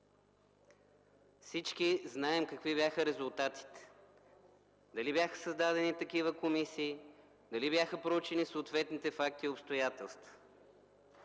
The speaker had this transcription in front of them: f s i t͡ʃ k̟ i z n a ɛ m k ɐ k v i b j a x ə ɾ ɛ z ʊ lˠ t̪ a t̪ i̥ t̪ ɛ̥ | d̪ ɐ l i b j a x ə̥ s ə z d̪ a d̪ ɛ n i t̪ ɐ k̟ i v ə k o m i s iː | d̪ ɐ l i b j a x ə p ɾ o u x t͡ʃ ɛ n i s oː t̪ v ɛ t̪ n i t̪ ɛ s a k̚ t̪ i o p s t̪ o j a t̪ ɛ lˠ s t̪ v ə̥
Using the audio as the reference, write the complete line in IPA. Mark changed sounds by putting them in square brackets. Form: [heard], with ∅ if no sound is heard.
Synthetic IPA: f s i t͡ʃ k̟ i z n a ɛ m k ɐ k v i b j a x ə ɾ ɛ z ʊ lˠ t̪ a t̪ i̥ t̪ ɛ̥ | d̪ ɐ l i b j a x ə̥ s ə z d̪ a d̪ ɛ n i t̪ ɐ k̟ i v ə k o m i s iː | d̪ ɐ l i b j a x ə p ɾ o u [∅] t͡ʃ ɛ n i s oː t̪ v ɛ t̪ n i t̪ ɛ [f] a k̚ t̪ i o p s t̪ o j a t̪ ɛ lˠ s t̪ v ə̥